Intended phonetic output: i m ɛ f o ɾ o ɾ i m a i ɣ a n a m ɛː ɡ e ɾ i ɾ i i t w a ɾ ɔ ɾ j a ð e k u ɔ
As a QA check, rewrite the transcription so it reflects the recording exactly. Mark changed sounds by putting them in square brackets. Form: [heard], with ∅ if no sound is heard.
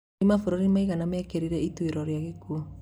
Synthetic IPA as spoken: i m [a] f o ɾ o ɾ i m a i ɣ a n a m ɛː [k] e ɾ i ɾ [ɛ] i t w [e] ɾ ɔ ɾ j a [ɣ] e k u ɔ